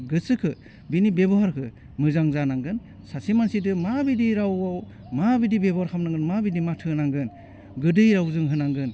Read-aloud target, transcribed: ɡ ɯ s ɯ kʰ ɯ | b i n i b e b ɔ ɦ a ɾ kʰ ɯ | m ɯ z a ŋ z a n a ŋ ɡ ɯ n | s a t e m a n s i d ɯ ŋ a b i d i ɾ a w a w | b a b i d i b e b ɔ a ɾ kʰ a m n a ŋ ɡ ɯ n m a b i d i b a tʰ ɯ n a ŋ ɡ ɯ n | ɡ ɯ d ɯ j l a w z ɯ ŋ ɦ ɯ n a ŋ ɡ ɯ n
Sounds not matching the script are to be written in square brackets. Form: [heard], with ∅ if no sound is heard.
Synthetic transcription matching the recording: ɡ ɯ s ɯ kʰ ɯ | b i n i b e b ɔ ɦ a ɾ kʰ ɯ | m ɯ z a ŋ z a n a ŋ ɡ ɯ n | s a [s] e m a n s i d ɯ [m] a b i d i ɾ a w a w | [m] a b i d i b e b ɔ a ɾ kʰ a m n a ŋ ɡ ɯ n m a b i d i [m] a tʰ ɯ n a ŋ ɡ ɯ n | ɡ ɯ d ɯ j [ɾ] a w z ɯ ŋ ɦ ɯ n a ŋ ɡ ɯ n